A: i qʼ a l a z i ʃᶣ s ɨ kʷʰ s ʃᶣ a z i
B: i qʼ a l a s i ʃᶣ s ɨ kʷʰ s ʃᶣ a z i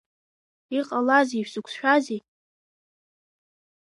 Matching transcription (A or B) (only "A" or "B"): A